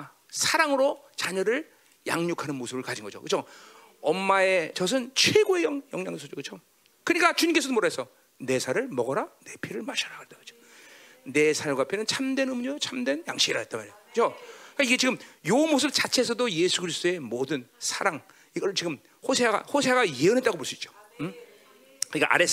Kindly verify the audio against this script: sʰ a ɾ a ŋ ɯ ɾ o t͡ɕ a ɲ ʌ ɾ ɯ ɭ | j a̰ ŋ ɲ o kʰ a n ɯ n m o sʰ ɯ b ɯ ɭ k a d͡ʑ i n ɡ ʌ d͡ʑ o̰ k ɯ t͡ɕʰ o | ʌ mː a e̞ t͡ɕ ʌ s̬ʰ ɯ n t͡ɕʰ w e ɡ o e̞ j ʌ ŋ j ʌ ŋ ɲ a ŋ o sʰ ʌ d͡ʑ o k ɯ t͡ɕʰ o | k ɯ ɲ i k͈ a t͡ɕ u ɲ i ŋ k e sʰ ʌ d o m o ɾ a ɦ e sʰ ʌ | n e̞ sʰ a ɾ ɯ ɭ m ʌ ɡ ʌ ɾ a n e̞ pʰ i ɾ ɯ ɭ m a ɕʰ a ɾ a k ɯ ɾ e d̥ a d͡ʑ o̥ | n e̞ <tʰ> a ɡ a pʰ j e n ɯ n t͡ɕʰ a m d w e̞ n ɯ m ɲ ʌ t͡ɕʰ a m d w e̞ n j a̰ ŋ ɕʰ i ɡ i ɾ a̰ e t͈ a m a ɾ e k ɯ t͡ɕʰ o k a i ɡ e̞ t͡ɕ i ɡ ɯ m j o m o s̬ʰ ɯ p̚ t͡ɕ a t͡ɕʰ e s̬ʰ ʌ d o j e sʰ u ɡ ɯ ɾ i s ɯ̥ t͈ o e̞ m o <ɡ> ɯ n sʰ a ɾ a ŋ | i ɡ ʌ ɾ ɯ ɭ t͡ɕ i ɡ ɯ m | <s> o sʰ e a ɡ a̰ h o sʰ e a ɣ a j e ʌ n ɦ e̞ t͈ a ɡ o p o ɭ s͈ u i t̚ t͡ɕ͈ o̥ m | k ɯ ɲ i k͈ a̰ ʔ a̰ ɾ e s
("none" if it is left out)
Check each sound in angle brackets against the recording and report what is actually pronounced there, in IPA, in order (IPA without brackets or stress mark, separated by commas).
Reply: sʰ, d, h